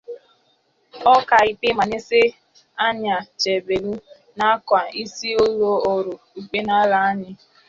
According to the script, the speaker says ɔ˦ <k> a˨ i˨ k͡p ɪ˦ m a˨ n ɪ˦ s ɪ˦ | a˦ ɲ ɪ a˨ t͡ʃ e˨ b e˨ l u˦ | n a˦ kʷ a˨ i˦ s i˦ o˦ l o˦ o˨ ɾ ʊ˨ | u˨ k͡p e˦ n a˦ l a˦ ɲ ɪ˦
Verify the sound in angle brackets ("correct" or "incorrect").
correct